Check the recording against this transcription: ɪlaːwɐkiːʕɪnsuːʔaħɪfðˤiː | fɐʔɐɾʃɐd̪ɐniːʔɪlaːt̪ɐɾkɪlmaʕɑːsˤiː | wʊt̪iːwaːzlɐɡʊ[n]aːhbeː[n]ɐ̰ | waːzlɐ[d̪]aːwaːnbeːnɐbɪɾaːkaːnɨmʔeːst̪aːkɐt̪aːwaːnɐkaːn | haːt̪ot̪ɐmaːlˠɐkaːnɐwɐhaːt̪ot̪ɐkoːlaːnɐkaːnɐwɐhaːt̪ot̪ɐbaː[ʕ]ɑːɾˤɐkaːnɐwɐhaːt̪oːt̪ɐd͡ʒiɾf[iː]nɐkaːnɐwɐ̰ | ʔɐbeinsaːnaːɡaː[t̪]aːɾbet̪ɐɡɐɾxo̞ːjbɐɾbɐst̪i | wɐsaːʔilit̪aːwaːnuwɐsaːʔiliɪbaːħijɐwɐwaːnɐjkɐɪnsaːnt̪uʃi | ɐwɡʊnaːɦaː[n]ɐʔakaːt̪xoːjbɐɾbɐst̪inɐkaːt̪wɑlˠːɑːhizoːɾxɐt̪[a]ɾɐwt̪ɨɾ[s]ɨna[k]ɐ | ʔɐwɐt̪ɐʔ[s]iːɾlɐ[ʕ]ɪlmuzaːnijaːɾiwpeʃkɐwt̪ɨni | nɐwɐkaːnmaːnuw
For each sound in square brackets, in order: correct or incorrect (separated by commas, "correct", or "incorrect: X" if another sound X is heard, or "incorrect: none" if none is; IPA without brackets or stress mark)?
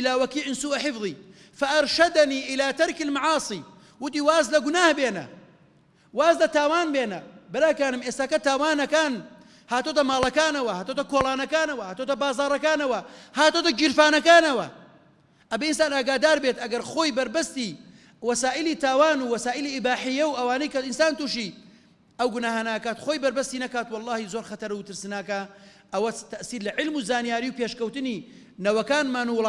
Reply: correct, correct, incorrect: t̪, incorrect: z, incorrect: aː, incorrect: d̪, correct, incorrect: ɐ, correct, correct, correct, correct